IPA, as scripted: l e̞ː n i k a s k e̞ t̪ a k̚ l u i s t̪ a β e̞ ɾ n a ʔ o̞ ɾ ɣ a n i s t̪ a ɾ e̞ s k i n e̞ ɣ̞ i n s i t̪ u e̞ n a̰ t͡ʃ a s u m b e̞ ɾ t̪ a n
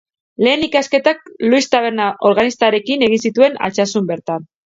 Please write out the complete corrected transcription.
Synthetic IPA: l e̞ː n i k a s k e̞ t̪ a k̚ l u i s t̪ a β e̞ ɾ n a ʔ o̞ ɾ ɣ a n i s t̪ a ɾ e̞ k i n e̞ ɣ̞ i n s i t̪ u e̞ n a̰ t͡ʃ a s u m b e̞ ɾ t̪ a n